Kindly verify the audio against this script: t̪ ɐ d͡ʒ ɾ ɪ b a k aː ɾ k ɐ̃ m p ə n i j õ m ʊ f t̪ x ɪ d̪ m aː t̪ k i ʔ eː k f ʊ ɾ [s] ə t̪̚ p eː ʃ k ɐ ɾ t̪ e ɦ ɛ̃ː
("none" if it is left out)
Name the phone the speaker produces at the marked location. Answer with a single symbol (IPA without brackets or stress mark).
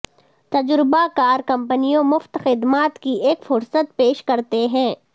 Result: s